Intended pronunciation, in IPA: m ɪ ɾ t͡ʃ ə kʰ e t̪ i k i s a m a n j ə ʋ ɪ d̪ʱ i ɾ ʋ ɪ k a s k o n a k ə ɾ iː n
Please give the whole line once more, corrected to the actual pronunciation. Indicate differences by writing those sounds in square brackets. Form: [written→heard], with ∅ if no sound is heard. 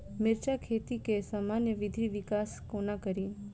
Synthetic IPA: m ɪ ɾ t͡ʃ [ə→a] kʰ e t̪ i k [i→e] s a m a n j ə ʋ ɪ d̪ʱ i [ɾ→∅] ʋ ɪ k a s k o n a k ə ɾ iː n